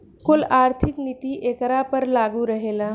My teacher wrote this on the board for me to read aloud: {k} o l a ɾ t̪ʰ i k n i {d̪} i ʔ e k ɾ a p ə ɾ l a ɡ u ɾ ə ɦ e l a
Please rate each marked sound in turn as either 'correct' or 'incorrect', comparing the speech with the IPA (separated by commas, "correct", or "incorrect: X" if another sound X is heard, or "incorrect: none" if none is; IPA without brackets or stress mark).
correct, incorrect: t̪